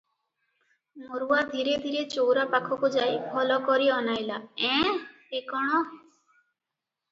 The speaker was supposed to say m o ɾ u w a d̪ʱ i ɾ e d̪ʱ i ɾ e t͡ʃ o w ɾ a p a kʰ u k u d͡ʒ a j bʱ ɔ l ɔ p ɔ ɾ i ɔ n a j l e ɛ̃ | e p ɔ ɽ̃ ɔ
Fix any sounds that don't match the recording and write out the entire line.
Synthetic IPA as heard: m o ɾ u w a d̪ʱ i ɾ e d̪ʱ i ɾ e t͡ʃ o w ɾ a p a kʰ ɔ k u d͡ʒ a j bʱ ɔ l ɔ k ɔ ɾ i ɔ n a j l a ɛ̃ | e k ɔ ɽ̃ ɔ